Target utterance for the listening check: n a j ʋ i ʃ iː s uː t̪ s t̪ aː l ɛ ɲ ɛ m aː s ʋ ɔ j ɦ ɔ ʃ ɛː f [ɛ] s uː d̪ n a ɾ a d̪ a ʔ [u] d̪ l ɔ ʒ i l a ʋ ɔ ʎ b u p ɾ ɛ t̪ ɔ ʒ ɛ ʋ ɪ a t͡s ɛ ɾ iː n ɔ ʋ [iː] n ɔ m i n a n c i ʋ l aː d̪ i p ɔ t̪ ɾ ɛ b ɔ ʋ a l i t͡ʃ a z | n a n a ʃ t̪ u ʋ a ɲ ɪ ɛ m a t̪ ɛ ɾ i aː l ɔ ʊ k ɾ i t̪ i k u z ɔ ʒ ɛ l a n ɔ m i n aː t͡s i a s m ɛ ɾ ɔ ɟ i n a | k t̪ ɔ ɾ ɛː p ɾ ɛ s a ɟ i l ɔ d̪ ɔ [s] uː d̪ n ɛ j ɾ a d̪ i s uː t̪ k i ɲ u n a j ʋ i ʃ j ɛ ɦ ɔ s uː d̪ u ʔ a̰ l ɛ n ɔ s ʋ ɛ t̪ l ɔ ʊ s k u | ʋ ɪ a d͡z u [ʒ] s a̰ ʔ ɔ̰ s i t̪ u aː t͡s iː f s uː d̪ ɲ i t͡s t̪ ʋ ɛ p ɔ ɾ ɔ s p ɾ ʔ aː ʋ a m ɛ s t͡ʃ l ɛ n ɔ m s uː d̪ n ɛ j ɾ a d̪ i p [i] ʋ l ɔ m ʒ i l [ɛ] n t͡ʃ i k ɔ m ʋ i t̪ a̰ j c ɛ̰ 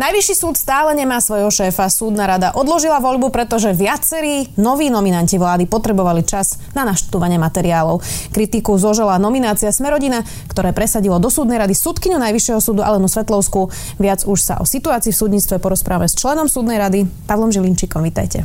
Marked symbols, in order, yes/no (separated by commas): no, no, yes, yes, no, no, no